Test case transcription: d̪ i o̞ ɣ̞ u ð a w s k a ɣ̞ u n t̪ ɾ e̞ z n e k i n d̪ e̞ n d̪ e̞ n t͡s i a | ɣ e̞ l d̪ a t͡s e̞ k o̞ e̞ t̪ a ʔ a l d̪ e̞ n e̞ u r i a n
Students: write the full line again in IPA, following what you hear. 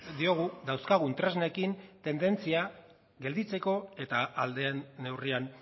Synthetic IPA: d̪ i o̞ ɣ̞ u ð a w s k a ɣ̞ u n t̪ ɾ e̞ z n e k i n t̪ e̞ n d̪ e̞ n t͡s i a | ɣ e̞ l d̪ i t͡s e̞ k o̞ e̞ t̪ a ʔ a l d̪ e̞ n e̞ w r i a n